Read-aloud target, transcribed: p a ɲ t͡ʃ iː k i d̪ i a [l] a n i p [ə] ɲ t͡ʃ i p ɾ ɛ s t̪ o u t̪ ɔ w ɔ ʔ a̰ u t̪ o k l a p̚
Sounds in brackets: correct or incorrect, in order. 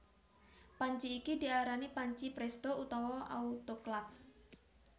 incorrect, incorrect

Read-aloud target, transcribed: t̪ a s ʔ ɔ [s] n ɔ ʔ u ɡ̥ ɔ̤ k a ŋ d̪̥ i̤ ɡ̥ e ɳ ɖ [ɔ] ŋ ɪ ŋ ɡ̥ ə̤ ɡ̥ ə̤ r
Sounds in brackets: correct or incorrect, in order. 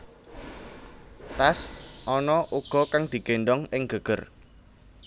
incorrect, correct

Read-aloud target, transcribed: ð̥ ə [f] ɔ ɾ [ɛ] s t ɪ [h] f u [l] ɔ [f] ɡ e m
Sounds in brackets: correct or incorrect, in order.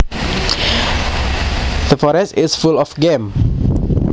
correct, correct, incorrect, correct, correct

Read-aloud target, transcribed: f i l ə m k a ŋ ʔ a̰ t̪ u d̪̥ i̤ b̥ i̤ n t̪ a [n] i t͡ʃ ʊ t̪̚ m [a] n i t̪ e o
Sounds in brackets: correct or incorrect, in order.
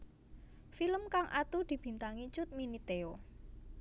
incorrect, incorrect

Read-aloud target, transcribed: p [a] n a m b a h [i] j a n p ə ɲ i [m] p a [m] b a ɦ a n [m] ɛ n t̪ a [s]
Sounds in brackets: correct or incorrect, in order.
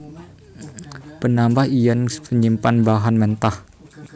incorrect, correct, correct, incorrect, correct, incorrect

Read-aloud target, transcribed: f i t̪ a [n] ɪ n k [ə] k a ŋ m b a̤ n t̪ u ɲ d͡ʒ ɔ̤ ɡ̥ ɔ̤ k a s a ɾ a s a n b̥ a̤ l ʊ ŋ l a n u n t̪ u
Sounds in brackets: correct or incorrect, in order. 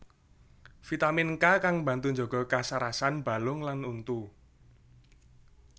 incorrect, incorrect

